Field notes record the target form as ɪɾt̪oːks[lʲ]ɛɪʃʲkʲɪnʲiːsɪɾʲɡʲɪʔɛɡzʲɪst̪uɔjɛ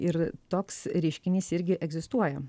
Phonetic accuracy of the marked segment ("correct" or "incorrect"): incorrect